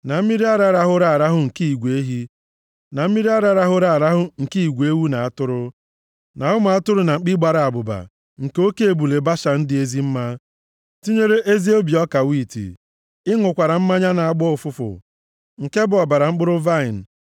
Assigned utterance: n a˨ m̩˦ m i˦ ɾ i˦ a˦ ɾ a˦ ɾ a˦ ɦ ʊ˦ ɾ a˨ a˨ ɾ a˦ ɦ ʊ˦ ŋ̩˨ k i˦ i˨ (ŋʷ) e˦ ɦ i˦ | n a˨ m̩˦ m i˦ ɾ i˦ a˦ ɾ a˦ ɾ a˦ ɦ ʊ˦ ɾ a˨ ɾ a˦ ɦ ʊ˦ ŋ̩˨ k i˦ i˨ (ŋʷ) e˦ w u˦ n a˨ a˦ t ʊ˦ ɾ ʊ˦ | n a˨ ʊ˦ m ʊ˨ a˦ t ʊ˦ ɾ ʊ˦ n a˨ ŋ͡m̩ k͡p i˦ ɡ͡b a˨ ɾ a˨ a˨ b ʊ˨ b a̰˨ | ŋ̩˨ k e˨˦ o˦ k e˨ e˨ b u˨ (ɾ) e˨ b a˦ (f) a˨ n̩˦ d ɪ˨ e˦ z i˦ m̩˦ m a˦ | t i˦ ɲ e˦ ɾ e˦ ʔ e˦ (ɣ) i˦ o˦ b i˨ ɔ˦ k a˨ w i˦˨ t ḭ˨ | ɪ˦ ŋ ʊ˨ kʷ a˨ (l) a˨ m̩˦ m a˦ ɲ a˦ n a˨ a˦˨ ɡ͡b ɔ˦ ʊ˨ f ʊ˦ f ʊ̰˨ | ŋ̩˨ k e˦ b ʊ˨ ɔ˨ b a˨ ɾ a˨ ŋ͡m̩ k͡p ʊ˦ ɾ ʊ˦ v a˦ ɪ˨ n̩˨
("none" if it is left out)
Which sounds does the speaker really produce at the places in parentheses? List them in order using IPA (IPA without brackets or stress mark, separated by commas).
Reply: ɡʷ, ɡʷ, l, ʃ, z, ɾ